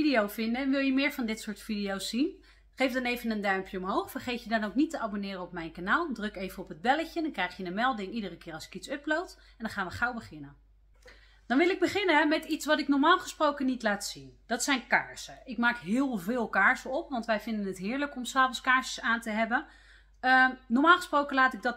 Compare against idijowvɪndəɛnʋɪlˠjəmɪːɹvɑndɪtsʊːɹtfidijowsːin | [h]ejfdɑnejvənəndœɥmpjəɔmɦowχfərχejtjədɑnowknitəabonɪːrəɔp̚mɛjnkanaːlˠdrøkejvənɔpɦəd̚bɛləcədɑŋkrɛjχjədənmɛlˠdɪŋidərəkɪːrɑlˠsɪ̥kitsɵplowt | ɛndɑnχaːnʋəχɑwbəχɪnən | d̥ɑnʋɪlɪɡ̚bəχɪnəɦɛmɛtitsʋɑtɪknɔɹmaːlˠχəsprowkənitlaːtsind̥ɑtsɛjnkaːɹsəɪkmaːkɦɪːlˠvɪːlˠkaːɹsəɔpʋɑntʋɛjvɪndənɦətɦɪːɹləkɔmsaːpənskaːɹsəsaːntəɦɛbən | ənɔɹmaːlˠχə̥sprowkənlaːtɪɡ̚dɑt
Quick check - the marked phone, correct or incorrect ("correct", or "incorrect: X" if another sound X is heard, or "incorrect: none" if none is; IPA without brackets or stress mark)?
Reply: incorrect: χ